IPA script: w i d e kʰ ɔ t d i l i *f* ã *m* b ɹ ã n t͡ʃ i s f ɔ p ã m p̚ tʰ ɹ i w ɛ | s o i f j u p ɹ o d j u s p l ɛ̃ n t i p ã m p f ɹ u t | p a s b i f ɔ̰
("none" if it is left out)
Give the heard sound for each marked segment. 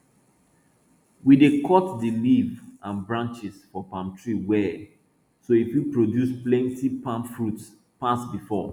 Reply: v, n

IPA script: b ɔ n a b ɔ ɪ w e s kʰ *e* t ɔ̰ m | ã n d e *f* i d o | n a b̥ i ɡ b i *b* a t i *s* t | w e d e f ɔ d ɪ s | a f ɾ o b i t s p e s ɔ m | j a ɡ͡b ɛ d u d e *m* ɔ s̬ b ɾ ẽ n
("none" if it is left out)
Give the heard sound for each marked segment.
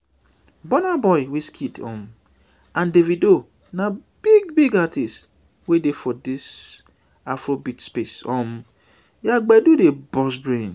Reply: i, v, ɡ, s, b

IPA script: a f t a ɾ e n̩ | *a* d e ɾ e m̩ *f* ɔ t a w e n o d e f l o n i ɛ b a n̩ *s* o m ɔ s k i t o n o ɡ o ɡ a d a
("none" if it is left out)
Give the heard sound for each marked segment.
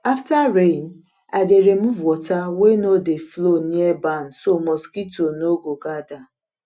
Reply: a, v, s

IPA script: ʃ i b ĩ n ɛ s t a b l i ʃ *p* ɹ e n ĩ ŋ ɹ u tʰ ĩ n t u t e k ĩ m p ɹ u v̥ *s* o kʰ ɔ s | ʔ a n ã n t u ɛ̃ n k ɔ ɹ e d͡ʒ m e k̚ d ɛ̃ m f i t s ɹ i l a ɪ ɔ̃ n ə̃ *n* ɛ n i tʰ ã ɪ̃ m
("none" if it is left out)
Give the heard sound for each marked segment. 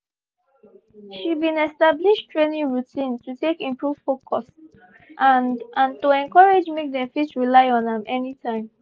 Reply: t, f, m

